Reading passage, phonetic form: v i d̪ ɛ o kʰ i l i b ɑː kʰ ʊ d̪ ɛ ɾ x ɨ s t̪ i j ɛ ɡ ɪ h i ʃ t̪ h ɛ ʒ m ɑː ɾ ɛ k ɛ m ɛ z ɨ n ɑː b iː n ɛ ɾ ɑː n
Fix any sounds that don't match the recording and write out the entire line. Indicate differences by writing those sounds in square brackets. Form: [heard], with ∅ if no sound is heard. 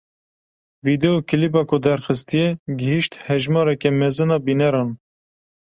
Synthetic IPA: v i d̪ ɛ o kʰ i l i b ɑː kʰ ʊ d̪ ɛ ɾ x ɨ s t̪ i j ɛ ɡ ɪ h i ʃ t̪ h ɛ ʒ m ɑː ɾ ɛ k ɛ m ɛ z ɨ n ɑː b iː n ɛ ɾ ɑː n